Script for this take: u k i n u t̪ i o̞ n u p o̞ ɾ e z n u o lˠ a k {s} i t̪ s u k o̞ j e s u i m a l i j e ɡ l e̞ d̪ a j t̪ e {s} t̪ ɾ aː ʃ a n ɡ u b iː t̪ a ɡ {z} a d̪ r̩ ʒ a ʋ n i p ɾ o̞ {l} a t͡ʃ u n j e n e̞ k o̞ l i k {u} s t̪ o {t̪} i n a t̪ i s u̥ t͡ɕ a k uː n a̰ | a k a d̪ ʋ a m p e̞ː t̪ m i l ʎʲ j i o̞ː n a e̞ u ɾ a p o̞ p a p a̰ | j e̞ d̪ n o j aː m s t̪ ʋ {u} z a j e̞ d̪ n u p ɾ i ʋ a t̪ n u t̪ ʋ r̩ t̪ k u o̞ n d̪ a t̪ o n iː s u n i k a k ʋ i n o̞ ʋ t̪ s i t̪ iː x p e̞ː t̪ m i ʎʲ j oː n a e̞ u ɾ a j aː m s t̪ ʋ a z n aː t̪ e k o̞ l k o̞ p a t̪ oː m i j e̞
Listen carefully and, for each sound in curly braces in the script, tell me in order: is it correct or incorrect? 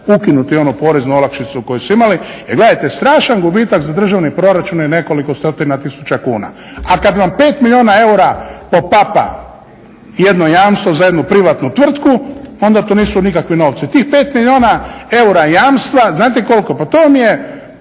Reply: incorrect: ʃ, correct, correct, incorrect: ɾ, incorrect: o, correct, incorrect: o

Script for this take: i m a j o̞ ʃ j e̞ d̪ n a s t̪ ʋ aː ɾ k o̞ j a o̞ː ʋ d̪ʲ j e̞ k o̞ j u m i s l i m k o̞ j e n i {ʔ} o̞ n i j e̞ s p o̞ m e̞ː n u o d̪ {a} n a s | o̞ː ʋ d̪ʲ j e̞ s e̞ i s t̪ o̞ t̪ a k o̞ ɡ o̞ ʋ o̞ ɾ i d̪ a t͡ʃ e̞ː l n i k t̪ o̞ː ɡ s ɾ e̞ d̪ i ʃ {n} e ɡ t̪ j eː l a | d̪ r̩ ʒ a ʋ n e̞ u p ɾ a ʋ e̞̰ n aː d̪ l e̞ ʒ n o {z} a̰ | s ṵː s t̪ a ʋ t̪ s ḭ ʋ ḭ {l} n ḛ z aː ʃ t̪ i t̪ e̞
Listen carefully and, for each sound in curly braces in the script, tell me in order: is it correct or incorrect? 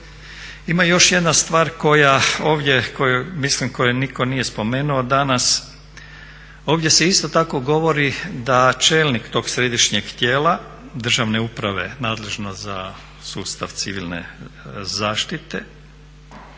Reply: incorrect: k, correct, incorrect: ɲ, correct, correct

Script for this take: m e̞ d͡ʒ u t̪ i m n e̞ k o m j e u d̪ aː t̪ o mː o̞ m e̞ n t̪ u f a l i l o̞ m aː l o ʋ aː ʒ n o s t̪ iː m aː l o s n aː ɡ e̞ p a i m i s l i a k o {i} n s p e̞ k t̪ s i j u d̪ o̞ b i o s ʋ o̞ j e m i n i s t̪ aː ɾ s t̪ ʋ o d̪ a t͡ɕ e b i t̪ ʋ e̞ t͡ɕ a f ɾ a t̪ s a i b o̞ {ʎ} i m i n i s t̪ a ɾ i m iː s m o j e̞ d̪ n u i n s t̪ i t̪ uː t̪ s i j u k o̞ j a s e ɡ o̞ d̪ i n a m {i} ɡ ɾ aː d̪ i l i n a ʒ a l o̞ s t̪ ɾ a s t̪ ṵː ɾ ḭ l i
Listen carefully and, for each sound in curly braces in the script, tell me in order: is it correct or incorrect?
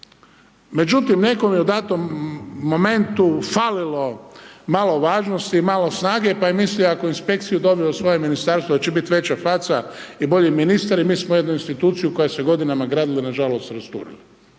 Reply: correct, correct, incorrect: a

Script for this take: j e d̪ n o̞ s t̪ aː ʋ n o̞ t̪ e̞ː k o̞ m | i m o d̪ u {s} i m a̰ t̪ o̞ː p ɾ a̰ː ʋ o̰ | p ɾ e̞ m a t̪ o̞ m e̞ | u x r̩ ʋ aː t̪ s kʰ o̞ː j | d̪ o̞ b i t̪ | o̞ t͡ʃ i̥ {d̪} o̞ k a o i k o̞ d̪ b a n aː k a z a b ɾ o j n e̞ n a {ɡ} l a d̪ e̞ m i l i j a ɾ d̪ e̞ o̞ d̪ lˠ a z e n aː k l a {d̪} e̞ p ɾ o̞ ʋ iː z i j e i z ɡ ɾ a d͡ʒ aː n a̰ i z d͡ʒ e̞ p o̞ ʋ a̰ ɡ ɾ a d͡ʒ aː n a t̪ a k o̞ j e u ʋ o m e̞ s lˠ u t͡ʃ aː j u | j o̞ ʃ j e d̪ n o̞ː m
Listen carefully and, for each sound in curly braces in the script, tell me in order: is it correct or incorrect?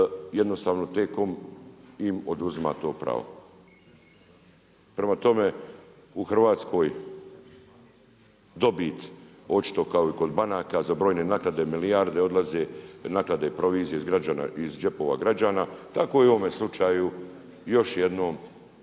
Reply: incorrect: z, incorrect: t̪, incorrect: k, correct

